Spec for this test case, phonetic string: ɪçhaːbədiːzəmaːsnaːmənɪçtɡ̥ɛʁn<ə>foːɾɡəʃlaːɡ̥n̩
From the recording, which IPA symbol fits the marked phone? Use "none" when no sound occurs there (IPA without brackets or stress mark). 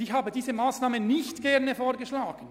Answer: ə